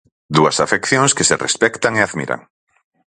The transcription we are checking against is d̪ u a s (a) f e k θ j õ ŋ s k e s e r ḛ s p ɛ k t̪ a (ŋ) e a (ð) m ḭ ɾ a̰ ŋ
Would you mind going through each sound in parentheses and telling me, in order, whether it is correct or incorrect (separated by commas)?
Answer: correct, correct, correct